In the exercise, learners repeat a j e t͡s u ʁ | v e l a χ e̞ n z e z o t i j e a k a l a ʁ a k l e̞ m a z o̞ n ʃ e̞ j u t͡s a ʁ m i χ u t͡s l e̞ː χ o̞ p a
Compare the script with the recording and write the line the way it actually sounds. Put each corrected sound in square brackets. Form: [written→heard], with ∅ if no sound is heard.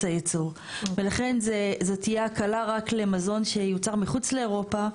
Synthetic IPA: a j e t͡s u ʁ | v e l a χ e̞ n z e z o t i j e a k a l a ʁ a k l e̞ m a z o̞ n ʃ e̞ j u t͡s a ʁ m i χ u t͡s l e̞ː [χ→ʁ] o̞ p a